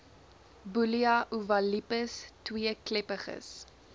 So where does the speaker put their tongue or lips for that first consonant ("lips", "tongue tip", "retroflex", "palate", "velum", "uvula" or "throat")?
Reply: lips